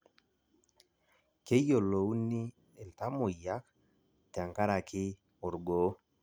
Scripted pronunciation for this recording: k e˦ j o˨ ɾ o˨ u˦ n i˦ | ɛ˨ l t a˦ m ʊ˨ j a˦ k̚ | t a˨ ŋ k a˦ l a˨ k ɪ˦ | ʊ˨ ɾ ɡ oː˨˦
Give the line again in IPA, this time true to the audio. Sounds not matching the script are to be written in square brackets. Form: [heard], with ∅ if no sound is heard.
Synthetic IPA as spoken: k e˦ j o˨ [l] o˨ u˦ n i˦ | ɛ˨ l t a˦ m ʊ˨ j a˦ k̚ | t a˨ ŋ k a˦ [ɾ] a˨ k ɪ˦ | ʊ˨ ɾ ɡ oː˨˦